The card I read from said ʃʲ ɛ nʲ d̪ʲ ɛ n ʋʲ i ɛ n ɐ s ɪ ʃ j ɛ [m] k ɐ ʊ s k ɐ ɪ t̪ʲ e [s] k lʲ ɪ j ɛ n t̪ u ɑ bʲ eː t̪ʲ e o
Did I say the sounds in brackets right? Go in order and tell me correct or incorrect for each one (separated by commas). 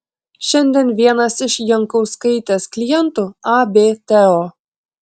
incorrect, correct